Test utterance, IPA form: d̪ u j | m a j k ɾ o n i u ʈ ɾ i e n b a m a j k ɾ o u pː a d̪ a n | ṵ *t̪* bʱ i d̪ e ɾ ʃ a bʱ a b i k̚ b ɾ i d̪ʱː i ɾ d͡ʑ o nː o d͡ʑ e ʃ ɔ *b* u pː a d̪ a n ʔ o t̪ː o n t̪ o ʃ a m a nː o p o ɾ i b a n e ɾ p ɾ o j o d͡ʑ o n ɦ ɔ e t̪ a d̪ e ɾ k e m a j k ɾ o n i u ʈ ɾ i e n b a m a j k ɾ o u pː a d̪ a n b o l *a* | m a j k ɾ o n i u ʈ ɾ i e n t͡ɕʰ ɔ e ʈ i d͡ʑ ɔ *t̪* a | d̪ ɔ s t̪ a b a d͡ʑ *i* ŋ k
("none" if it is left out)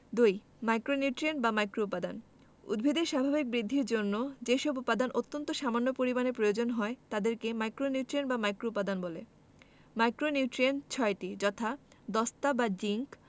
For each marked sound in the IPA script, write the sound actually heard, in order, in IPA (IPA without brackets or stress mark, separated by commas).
d̪, b, e, t̪ʰ, i